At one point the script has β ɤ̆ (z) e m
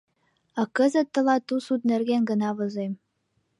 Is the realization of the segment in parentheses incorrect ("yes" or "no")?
no